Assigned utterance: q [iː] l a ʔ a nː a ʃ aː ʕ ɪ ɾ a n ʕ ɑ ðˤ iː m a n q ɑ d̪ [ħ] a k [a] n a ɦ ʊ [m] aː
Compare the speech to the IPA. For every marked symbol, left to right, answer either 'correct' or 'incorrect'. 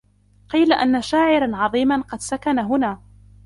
correct, incorrect, correct, incorrect

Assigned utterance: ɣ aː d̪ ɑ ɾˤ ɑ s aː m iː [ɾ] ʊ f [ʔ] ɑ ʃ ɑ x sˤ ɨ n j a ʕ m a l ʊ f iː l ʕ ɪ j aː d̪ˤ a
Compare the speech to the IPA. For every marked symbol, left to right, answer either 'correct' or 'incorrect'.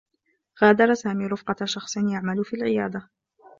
correct, incorrect

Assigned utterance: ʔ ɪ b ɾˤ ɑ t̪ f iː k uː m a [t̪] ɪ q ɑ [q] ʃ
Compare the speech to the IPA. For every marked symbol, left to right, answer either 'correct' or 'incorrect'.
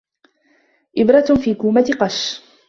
correct, incorrect

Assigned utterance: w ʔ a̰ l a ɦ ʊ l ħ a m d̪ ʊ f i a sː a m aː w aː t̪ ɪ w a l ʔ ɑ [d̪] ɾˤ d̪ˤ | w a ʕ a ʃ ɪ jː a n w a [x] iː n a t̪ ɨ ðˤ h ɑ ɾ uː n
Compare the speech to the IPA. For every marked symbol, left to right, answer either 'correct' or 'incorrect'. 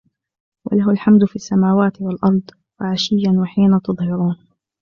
incorrect, incorrect

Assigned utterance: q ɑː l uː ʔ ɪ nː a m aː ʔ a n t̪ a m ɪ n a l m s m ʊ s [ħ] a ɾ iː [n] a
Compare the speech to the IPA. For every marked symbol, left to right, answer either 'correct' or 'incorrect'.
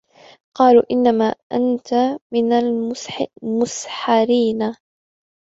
correct, correct

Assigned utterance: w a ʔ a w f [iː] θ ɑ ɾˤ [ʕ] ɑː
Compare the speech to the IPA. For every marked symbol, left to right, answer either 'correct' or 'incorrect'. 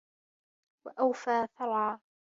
incorrect, correct

